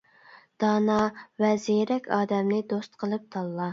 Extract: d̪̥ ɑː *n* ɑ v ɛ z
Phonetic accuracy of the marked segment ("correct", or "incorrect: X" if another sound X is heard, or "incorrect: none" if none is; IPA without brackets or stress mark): correct